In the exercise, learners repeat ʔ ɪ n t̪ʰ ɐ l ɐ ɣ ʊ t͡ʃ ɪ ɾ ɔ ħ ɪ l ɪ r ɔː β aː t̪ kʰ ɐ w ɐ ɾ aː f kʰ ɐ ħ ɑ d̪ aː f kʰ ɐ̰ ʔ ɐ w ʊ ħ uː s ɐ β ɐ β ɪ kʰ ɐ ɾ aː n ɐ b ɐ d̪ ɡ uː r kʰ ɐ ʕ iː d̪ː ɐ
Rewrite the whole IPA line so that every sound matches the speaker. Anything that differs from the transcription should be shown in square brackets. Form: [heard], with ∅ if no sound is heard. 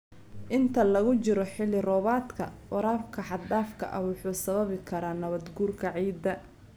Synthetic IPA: ʔ ɪ n t̪ʰ ɐ l ɐ ɣ ʊ t͡ʃ ɪ ɾ ɔ ħ ɪ l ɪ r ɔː β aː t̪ kʰ ɐ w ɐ ɾ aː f kʰ ɐ ħ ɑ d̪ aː f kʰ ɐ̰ ʔ ɐ w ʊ ħ uː s ɐ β ɐ β ɪ kʰ ɐ ɾ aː n ɐ [β] ɐ d̪ ɡ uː r kʰ ɐ ʕ iː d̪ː ɐ

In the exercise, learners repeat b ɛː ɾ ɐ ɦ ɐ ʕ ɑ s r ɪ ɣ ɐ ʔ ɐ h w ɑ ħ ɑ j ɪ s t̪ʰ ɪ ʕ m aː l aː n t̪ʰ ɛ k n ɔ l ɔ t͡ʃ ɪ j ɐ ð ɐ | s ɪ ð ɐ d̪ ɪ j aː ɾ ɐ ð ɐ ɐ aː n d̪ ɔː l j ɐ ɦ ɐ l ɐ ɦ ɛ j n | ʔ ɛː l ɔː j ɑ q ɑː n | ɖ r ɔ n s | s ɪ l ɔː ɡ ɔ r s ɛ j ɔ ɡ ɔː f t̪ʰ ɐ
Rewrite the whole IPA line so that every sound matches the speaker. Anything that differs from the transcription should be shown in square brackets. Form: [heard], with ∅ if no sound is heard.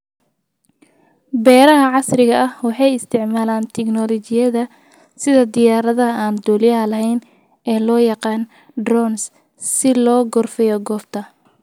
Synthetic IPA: b ɛː ɾ ɐ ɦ ɐ ʕ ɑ s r ɪ ɣ ɐ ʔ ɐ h w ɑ ħ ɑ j ɪ s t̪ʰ ɪ ʕ m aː l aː n t̪ʰ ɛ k n ɔ l ɔ t͡ʃ ɪ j ɐ ð ɐ | s ɪ ð ɐ d̪ ɪ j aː ɾ ɐ ð ɐ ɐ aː n d̪ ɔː l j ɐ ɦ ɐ l ɐ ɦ ɛ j n | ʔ ɛː l ɔː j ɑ q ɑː n | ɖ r ɔ n s | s ɪ l ɔː ɡ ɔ r [f] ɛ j ɔ ɡ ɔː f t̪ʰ ɐ

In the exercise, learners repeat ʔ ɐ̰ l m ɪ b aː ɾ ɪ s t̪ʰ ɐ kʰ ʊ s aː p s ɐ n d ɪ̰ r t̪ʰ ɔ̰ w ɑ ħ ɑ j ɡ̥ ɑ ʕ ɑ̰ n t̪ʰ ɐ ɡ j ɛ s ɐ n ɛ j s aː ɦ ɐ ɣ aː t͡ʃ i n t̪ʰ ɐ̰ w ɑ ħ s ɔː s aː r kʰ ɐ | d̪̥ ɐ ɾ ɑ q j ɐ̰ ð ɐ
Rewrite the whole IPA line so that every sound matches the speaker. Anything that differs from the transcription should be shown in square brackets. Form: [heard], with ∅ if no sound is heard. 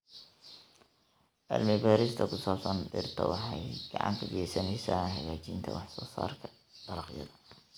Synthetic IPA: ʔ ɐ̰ l m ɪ b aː ɾ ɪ s t̪ʰ ɐ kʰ ʊ s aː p s ɐ n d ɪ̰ r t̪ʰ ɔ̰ w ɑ ħ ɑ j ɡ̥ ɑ ʕ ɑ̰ n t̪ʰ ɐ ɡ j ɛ s ɐ n ɛ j s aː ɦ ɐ ɣ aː t͡ʃ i n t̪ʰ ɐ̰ w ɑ ħ s ɔː s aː r kʰ ɐ | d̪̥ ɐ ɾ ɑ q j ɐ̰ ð ɐ

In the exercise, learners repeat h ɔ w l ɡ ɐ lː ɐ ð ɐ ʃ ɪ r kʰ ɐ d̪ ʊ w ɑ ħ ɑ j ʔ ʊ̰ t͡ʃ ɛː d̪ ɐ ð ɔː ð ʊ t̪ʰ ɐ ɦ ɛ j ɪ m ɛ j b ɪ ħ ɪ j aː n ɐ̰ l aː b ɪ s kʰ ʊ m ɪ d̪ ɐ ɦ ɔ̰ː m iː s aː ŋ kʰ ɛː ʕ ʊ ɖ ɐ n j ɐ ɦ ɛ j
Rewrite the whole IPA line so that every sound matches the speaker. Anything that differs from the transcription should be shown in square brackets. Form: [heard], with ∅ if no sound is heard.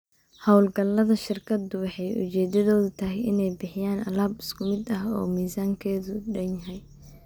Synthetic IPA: h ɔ w l ɡ ɐ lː ɐ ð ɐ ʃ ɪ r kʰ ɐ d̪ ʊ w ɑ ħ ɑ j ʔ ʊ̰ t͡ʃ ɛː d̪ ɐ ð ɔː ð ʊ t̪ʰ ɐ ɦ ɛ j ɪ [n] ɛ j b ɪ ħ ɪ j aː n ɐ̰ l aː b ɪ s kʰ ʊ m ɪ d̪ ɐ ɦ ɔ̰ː m iː s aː ŋ kʰ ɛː [ð] ʊ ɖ ɐ n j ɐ ɦ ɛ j

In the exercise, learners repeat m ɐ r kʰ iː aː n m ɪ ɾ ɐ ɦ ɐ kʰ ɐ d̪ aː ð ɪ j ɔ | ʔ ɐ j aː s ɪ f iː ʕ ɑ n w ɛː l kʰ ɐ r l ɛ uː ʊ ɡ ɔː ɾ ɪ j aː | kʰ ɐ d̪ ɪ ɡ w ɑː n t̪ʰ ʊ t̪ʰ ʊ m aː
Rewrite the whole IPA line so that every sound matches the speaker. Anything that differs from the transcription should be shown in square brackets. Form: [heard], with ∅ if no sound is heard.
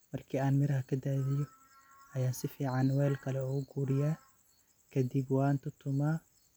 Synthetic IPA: m ɐ r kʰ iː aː n m ɪ ɾ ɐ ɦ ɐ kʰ ɐ d̪ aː ð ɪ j ɔ | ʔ ɐ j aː s ɪ f iː ʕ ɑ n w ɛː l kʰ ɐ [∅] l ɛ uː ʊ ɡ [uː] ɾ ɪ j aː | kʰ ɐ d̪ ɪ [b] w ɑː n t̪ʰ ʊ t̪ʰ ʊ m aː

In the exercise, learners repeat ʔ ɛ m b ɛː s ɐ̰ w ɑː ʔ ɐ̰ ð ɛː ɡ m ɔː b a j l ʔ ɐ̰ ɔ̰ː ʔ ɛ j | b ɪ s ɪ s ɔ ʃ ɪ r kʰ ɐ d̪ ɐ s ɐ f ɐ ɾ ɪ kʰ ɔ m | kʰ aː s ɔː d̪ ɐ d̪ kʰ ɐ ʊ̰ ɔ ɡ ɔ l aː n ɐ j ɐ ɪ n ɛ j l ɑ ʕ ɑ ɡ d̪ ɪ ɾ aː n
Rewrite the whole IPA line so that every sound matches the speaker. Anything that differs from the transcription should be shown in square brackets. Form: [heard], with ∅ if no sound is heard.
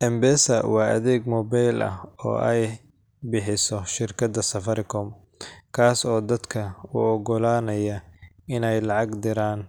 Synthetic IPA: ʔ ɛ m b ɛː s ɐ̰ w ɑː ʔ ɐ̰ ð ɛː ɡ m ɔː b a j l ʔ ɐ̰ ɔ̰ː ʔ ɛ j | b ɪ [ħ] ɪ s ɔ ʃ ɪ r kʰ ɐ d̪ ɐ s ɐ f ɐ ɾ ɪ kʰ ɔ m | kʰ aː s ɔː d̪ ɐ d̪ kʰ ɐ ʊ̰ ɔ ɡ ɔ l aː n ɐ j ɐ ɪ n ɛ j l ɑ ʕ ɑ ɡ d̪ ɪ ɾ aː n

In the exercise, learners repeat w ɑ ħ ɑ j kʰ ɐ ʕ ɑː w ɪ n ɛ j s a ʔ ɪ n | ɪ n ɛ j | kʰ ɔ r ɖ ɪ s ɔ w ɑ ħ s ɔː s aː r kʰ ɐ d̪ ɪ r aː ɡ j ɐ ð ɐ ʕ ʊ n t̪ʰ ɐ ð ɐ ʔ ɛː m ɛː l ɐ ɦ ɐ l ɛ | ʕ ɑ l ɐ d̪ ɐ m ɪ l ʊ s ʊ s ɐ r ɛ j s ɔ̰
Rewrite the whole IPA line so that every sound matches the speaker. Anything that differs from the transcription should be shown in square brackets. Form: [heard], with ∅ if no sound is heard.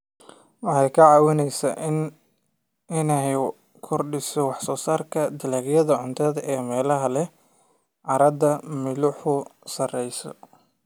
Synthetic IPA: w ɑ ħ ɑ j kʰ ɐ ʕ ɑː w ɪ n ɛ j s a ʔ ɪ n | ɪ n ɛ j | kʰ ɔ r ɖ ɪ s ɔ w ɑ ħ s ɔː s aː r kʰ ɐ d̪ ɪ [l] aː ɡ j ɐ ð ɐ ʕ ʊ n t̪ʰ ɐ ð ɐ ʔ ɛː m ɛː l ɐ ɦ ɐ l ɛ | ʕ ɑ [ɾ] ɐ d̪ ɐ m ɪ l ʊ [ħ] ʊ s ɐ r ɛ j s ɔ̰

